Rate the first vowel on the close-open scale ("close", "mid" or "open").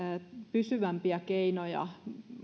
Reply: close